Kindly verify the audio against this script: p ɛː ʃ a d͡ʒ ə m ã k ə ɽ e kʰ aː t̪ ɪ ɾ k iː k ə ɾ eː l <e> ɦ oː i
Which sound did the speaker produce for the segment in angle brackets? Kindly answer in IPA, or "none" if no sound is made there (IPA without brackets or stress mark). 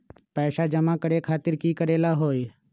a